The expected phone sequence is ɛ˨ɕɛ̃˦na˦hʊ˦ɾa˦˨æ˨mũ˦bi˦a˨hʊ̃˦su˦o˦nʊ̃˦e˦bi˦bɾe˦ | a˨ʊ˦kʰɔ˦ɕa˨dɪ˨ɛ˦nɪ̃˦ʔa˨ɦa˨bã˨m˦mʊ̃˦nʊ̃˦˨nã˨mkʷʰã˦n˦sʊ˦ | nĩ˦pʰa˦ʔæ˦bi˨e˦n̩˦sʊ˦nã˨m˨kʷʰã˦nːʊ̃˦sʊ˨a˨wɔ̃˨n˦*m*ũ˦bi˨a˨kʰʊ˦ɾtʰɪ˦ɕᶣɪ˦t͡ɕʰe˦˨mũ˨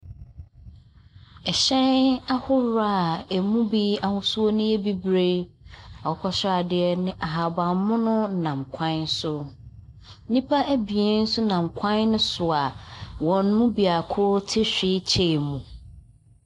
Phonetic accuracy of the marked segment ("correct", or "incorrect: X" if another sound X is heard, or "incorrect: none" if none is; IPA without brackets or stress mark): correct